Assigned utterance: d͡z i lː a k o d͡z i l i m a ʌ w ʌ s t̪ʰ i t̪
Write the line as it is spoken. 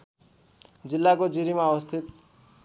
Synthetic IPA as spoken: d͡z i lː a k o d͡z i ɾ i m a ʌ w ʌ s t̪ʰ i t̪